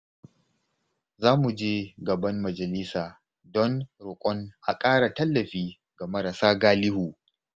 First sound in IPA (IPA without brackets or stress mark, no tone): z